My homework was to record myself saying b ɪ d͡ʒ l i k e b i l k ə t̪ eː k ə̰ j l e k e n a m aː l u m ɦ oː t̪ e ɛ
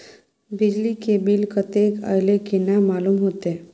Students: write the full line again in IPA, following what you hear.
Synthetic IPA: b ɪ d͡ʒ l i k e b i l k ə t̪ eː k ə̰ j l e k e n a m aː l u m ɦ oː t̪ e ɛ